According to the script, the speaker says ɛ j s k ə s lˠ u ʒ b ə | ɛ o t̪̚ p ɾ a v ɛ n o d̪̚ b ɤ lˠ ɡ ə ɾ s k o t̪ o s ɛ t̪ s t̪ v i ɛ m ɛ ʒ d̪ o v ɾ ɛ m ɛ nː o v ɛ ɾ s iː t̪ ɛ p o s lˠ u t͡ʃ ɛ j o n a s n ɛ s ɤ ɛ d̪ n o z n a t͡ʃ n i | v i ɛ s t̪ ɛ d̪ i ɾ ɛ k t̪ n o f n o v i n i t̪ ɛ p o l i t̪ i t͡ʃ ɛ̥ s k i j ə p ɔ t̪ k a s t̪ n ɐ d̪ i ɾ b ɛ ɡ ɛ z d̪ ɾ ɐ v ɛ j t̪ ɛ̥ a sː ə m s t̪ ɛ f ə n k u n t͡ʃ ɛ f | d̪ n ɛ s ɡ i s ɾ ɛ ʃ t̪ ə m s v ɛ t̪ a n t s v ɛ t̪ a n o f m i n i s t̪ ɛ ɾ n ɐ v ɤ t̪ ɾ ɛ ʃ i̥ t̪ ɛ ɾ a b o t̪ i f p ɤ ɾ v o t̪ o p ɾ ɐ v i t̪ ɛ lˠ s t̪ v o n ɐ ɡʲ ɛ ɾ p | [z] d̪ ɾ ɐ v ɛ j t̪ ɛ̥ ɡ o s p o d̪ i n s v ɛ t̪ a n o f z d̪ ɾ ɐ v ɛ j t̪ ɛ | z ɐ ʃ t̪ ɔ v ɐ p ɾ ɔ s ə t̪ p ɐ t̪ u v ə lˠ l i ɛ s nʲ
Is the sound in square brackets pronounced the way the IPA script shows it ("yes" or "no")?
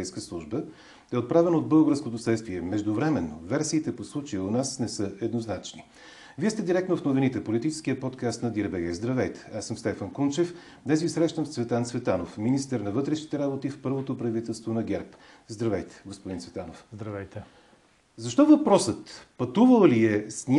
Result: yes